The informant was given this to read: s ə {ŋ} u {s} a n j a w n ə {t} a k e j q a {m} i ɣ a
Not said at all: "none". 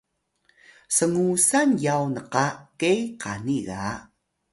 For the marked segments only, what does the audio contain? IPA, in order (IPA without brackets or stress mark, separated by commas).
ŋ, s, q, n